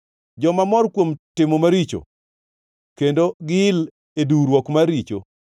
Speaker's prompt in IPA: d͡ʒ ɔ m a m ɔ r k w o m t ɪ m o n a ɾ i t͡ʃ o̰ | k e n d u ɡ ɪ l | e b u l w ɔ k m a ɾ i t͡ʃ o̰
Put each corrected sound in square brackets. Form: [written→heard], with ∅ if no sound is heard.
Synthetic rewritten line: d͡ʒ ɔ m a m ɔ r k w o m t ɪ m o [n→m] a ɾ i t͡ʃ o̰ | k e n d [u→o] ɡ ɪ l | e [b→d] u [l→ɾ] w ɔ k m a ɾ i t͡ʃ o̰